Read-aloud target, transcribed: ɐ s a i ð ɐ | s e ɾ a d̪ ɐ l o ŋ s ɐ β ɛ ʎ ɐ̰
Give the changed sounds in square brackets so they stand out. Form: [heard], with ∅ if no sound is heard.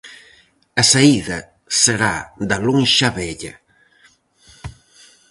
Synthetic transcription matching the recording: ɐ s a i ð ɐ | s e ɾ a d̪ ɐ l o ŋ [ʃ] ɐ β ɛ ʎ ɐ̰